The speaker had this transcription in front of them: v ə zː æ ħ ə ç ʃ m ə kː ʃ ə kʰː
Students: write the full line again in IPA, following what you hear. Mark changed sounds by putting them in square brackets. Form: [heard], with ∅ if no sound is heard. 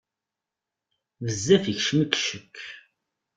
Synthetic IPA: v ə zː æ [f] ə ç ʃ m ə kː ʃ ə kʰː